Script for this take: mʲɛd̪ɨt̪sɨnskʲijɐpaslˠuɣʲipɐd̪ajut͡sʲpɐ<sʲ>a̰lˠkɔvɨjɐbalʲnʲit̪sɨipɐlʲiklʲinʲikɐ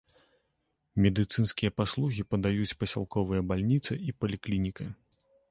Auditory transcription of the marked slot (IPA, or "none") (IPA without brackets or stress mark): sʲ